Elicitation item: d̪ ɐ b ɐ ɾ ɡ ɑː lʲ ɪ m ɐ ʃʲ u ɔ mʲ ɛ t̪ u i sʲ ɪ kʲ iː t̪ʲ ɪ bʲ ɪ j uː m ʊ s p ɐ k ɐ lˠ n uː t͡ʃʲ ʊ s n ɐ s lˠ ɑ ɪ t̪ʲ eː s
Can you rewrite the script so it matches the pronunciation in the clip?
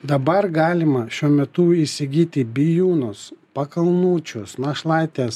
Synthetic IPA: d̪ ɐ b ɐ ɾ ɡ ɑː lʲ ɪ m ɐ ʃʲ u ɔ mʲ ɛ t̪ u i sʲ ɪ ɡʲ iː t̪ʲ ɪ bʲ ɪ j uː n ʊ s p ɐ k ɐ lˠ n uː t͡ʃʲ ʊ s n ɐ ʃ lˠ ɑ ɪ t̪ʲ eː s

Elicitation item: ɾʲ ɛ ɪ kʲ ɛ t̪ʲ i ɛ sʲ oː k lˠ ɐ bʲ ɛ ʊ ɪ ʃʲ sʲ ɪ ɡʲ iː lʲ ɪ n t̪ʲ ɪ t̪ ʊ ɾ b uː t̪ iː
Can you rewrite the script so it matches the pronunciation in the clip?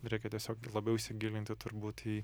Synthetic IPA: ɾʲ ɛ ɪ kʲ ɛ t̪ʲ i ɛ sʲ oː k lˠ ɐ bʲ ɛ ʊ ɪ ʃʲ sʲ ɪ ɡʲ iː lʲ ɪ n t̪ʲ ɪ t̪ ʊ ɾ b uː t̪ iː

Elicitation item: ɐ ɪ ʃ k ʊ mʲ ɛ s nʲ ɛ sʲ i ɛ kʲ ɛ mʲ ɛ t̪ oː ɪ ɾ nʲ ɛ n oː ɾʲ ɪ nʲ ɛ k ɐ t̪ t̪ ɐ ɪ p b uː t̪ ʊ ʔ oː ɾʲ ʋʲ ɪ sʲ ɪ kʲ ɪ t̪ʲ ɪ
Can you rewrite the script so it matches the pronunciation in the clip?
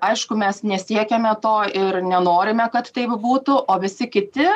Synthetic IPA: ɐ ɪ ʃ k ʊ mʲ ɛ s nʲ ɛ sʲ i ɛ kʲ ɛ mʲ ɛ t̪ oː ɪ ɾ nʲ ɛ n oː ɾʲ ɪ mʲ ɛ k ɐ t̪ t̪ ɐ ɪ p b uː t̪ ʊ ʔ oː ʋʲ ɪ sʲ ɪ kʲ ɪ t̪ʲ ɪ

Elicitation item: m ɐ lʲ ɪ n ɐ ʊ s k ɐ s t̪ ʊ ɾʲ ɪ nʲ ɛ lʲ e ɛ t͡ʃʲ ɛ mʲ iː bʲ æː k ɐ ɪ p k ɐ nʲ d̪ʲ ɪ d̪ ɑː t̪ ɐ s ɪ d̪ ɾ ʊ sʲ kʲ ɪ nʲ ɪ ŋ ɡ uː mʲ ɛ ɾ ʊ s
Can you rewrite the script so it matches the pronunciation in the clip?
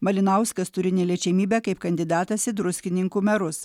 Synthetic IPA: m ɐ lʲ ɪ n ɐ ʊ s k ɐ s t̪ ʊ ɾʲ ɪ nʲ ɛ lʲ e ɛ t͡ʃʲ ɛ mʲ iː bʲ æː k ɐ ɪ p k ɐ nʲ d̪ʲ ɪ d̪ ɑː t̪ ɐ s ɪ d̪ ɾ ʊ sʲ kʲ ɪ nʲ ɪ ŋ k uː mʲ ɛ ɾ ʊ s

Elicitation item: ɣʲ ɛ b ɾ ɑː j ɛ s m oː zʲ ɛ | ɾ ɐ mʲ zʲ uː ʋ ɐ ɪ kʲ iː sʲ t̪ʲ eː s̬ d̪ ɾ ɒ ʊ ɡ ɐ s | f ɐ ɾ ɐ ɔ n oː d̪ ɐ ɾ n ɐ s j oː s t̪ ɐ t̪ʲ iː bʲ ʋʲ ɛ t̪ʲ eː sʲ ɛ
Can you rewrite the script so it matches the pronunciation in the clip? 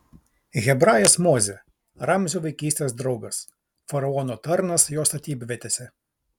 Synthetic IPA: ɣʲ ɛ b ɾ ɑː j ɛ s m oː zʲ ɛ | ɾ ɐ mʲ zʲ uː ʋ ɐ ɪ kʲ iː sʲ t̪ʲ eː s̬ d̪ ɾ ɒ ʊ ɡ ɐ s | f ɐ ɾ ɐ ɔ n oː t̪ ɐ ɾ n ɐ s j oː s t̪ ɐ t̪ʲ iː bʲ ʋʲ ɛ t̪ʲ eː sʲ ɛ

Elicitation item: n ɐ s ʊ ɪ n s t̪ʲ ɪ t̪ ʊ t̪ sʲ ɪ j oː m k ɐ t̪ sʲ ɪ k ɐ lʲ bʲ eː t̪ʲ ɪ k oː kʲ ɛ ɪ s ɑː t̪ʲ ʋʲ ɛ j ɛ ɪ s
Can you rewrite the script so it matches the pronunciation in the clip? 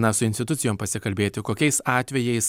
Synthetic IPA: n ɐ s ʊ ɪ n s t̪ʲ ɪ t̪ ʊ t̪ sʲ ɪ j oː m p ɐ sʲ ɪ k ɐ lʲ bʲ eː t̪ʲ ɪ k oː kʲ ɛ ɪ s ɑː t̪ʲ ʋʲ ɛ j ɛ ɪ s

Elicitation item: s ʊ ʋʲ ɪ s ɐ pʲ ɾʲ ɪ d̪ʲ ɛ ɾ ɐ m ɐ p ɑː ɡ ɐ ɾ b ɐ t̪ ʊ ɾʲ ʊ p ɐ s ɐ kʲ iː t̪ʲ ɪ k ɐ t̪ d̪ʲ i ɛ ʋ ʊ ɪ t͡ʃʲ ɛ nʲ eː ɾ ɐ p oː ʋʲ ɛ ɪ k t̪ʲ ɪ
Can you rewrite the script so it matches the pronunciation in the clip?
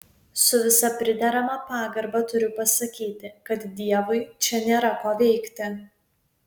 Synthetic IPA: s ʊ ʋʲ ɪ s ɐ pʲ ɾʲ ɪ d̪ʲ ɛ ɾ ɐ m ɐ p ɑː ɡ ɐ ɾ b ɐ t̪ ʊ ɾʲ ʊ p ɐ s ɐ kʲ iː t̪ʲ ɪ k ɐ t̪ d̪ʲ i ɛ ʋ ʊ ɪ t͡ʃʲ ɛ nʲ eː ɾ ɐ k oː ʋʲ ɛ ɪ k t̪ʲ ɪ

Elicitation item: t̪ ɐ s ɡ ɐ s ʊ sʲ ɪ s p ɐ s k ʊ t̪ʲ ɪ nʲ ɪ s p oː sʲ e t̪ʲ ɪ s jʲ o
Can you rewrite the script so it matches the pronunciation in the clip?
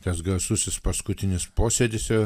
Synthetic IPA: t̪ ɐ s ɡ ɐ s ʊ sʲ ɪ s p ɐ s k ʊ t̪ʲ ɪ nʲ ɪ s p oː sʲ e d̪ʲ ɪ s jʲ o

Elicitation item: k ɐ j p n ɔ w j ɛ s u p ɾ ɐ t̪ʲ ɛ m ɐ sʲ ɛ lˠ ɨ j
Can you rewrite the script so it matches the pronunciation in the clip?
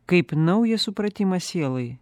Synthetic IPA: k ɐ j p n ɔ w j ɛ s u p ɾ ɐ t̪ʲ i m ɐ sʲ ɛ lˠ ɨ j

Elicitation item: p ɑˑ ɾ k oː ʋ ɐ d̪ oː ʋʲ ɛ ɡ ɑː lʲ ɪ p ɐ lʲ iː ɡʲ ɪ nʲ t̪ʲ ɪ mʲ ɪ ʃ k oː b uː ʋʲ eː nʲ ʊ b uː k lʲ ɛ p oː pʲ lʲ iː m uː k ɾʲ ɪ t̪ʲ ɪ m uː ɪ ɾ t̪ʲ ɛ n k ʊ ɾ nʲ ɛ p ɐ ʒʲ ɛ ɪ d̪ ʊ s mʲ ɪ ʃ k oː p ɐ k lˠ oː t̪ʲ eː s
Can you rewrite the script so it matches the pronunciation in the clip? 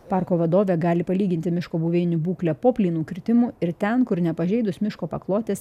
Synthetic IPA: p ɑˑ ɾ k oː ʋ ɐ d̪ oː ʋʲ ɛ ɡ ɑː lʲ ɪ p ɐ lʲ iː ɡʲ ɪ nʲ t̪ʲ ɪ mʲ ɪ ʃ k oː b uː ʋʲ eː nʲ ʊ b uː k lʲ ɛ p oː pʲ lʲ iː n uː k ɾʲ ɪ t̪ʲ ɪ m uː ɪ ɾ t̪ʲ ɛ n k ʊ ɾ nʲ ɛ p ɐ ʒʲ ɛ ɪ d̪ ʊ s mʲ ɪ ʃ k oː p ɐ k lˠ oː t̪ʲ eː s

